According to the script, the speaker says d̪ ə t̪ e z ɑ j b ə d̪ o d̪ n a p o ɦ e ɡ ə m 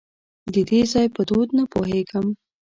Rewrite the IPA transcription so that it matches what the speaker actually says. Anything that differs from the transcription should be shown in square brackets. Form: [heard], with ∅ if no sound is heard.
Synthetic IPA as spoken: d̪ ə [d̪] e z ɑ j [p] ə d̪ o d̪ n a p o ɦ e ɡ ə m